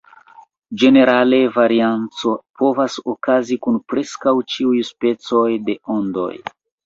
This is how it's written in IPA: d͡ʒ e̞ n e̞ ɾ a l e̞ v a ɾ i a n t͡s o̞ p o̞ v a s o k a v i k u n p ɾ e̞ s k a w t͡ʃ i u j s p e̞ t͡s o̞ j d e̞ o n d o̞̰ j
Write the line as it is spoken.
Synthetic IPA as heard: d͡ʒ e̞ n e̞ ɾ a l e̞ v a ɾ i a n t͡s o̞ p o̞ v a s o k a z i k u n p ɾ e̞ s k a w t͡ʃ i u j s p e̞ t͡s o̞ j d e̞ o n d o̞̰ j